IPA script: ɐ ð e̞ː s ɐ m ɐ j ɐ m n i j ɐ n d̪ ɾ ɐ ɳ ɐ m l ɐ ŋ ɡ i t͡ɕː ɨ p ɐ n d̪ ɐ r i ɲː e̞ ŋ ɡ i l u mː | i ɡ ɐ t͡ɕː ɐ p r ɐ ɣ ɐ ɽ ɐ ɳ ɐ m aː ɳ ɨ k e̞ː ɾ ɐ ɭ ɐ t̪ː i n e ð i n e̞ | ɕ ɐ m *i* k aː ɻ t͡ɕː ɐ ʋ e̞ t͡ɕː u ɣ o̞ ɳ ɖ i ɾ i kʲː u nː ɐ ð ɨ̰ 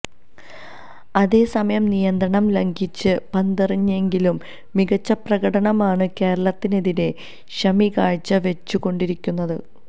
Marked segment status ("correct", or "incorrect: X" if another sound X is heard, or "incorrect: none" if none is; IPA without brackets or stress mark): correct